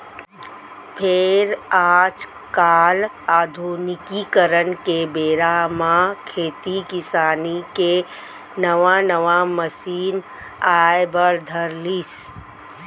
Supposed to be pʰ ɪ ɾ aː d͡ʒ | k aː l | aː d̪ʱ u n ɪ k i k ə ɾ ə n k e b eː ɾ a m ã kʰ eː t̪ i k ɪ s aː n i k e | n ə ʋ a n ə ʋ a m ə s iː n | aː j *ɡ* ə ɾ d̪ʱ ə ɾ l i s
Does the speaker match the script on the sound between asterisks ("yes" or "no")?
no